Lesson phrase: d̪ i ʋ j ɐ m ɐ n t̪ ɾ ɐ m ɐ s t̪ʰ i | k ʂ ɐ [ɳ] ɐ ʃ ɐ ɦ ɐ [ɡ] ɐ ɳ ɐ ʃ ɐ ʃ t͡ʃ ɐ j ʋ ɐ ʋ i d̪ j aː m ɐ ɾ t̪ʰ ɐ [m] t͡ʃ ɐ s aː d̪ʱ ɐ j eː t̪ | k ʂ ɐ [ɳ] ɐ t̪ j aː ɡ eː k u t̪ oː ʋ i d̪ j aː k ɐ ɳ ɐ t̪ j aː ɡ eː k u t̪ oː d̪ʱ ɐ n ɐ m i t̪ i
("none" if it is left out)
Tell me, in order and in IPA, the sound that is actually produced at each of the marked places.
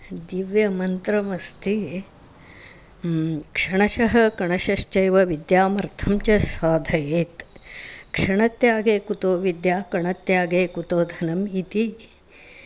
ɳ, k, m, ɳ

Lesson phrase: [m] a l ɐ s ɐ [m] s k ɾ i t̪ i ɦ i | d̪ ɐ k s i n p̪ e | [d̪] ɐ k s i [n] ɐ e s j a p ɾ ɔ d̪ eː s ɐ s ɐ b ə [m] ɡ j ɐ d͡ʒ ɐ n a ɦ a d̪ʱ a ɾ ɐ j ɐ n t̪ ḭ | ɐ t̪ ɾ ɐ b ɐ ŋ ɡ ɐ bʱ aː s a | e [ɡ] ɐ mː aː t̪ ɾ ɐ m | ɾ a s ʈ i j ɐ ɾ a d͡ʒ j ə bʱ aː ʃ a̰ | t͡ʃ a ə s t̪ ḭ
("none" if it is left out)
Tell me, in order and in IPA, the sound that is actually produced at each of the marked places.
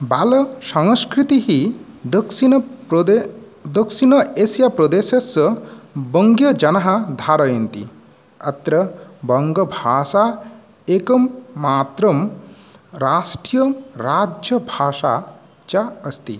b, ŋ, d̪, n, ŋ, k

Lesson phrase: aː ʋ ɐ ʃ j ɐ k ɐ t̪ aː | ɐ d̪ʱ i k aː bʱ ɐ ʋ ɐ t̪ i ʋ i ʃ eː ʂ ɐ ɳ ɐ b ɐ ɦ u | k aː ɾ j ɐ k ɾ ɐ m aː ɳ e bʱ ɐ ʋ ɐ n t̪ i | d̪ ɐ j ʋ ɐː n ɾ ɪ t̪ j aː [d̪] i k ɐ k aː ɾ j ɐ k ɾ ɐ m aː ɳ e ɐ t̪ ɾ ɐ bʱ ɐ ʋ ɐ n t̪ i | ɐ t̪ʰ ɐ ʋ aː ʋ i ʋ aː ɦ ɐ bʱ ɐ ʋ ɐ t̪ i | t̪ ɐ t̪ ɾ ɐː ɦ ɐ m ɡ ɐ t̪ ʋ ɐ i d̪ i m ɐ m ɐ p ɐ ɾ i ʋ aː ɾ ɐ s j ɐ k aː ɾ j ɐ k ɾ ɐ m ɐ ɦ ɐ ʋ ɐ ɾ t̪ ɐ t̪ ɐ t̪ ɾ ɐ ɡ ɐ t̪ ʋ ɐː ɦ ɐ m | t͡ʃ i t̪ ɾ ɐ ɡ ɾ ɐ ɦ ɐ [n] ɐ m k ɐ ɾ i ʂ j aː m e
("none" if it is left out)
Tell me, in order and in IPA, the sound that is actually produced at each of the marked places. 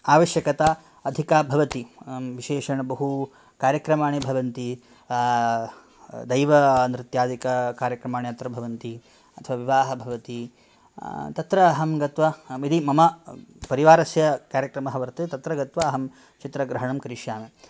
d̪, ɳ

